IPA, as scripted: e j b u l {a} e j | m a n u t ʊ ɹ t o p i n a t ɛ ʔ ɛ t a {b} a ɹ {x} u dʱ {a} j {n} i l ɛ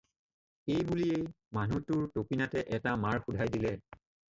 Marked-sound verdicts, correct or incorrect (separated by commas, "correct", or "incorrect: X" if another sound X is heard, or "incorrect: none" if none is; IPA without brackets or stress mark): incorrect: i, incorrect: m, correct, correct, incorrect: d